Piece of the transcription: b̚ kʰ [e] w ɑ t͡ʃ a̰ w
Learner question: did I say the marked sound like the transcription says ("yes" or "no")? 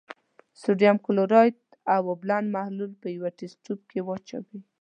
yes